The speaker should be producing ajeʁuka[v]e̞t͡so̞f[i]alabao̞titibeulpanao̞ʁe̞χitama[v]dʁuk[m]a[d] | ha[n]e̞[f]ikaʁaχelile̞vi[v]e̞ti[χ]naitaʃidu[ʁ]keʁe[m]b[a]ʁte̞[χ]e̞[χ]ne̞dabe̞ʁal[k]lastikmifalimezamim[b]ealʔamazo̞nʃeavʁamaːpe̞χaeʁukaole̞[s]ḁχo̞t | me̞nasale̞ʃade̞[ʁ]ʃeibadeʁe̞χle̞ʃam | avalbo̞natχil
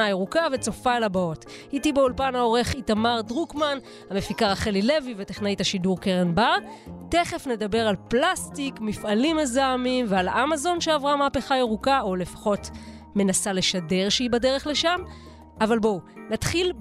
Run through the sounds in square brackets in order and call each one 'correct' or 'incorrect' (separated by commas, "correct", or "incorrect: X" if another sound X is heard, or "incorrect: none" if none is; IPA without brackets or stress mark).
correct, incorrect: a, incorrect: ʁ, correct, incorrect: n, incorrect: m, correct, correct, correct, correct, incorrect: n, correct, correct, incorrect: f, incorrect: p, incorrect: v, incorrect: f, correct